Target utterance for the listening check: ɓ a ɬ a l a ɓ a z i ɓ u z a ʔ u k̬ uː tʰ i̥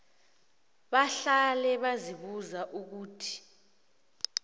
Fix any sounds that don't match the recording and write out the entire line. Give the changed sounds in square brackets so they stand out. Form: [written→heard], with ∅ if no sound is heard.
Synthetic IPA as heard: ɓ a ɬ a l [a→ɛ] ɓ a z i ɓ u z a ʔ u k̬ uː tʰ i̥